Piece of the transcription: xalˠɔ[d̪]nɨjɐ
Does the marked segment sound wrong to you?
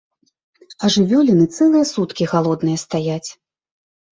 no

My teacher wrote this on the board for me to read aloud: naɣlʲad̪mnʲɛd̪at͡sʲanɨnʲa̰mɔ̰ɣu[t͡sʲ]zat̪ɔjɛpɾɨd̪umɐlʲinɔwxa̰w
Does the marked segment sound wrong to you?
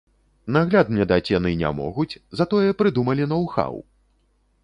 no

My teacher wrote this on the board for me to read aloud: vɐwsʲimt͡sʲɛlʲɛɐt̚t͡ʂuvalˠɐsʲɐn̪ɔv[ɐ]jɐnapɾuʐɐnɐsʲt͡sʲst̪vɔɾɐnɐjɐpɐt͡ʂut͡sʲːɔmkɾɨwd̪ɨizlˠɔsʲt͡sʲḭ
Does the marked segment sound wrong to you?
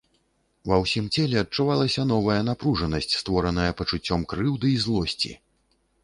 no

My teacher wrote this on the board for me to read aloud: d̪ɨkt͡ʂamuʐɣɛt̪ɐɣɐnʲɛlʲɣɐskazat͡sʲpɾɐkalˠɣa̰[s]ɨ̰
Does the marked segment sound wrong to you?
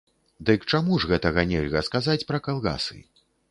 no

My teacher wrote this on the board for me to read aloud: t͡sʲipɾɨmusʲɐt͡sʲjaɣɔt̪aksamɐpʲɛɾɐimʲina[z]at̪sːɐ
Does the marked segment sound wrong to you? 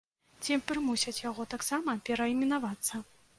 yes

